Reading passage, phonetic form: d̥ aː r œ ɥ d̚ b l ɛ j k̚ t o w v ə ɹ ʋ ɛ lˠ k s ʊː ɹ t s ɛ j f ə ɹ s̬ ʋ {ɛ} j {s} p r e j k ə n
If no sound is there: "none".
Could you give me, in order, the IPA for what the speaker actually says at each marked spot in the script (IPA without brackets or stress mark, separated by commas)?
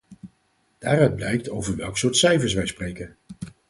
ɛ, s